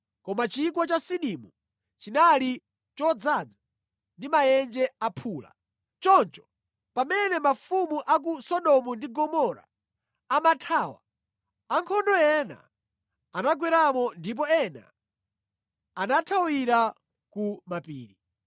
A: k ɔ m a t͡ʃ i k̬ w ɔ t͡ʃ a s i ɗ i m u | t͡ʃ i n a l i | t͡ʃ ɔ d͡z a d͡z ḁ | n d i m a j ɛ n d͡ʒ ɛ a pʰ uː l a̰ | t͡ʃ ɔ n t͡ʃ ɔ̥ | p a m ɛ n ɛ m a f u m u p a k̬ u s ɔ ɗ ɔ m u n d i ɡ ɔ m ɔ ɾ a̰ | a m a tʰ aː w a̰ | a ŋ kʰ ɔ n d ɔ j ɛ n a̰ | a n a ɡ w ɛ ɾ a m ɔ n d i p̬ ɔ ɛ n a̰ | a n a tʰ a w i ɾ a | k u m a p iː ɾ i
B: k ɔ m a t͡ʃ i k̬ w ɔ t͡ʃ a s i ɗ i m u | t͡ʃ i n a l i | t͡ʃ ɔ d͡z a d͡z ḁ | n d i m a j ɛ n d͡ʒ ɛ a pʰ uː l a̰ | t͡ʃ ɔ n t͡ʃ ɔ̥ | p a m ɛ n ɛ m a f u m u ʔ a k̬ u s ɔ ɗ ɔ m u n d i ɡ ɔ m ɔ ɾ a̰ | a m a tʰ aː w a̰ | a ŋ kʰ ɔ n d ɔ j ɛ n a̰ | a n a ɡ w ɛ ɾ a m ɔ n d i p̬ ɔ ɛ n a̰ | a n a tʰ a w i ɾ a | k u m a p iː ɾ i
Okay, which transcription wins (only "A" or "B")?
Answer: B